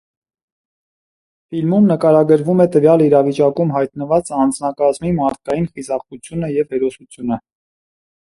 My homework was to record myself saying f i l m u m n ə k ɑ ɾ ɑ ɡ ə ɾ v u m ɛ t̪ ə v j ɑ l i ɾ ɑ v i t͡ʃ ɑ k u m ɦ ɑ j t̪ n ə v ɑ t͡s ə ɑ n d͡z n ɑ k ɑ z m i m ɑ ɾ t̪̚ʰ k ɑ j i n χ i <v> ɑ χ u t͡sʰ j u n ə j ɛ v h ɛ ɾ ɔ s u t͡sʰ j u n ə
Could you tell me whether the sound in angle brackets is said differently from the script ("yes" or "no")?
yes